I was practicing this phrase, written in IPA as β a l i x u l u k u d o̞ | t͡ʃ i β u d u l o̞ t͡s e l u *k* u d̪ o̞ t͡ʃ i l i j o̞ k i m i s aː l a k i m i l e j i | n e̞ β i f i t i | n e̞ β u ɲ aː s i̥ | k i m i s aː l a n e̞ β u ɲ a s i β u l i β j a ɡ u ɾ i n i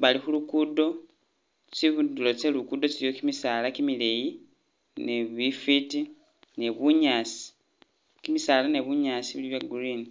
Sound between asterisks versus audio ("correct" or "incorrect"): correct